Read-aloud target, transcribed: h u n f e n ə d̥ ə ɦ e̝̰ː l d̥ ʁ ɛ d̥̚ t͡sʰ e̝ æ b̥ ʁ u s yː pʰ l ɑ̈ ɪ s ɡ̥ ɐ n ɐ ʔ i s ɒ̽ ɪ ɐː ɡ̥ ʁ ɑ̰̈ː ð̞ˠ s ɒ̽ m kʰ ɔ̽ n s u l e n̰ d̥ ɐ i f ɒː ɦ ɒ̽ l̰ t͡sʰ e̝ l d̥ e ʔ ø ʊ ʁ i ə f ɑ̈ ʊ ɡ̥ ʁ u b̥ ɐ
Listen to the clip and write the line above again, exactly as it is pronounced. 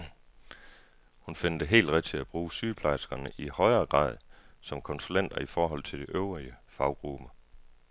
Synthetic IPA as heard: h u n f e n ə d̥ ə ɦ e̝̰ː l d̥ ʁ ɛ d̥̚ t͡sʰ e̝ æ b̥ ʁ uː s yː pʰ l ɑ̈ ɪ s ɡ̥ ɐ n ə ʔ i h ɒ̽ ɪ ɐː ɡ̥ ʁ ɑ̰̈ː ð̞ˠ s ɒ̽ m kʰ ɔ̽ n s u l e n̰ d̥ ɐ i f ɒː ɦ ɒ̽ l̰ t͡sʰ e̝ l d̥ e ʔ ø ʊ ʁ i ə f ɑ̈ ʊ ɡ̥ ʁ u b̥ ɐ